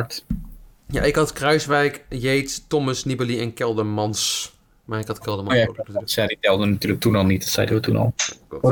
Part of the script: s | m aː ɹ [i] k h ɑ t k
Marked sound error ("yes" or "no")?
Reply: yes